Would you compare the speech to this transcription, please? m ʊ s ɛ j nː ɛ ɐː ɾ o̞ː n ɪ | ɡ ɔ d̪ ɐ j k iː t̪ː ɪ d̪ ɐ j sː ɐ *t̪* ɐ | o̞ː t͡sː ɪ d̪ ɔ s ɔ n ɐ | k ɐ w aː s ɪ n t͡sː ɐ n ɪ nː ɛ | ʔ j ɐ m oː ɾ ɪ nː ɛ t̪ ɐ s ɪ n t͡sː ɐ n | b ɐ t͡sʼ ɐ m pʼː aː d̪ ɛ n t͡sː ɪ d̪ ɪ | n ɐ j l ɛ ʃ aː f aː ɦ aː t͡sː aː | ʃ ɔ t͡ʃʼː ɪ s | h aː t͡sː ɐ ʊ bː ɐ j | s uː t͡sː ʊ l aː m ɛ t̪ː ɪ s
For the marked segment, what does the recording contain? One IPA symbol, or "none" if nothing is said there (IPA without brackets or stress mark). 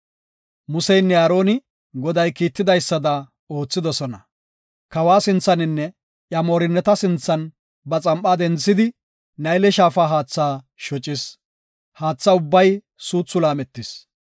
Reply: d̪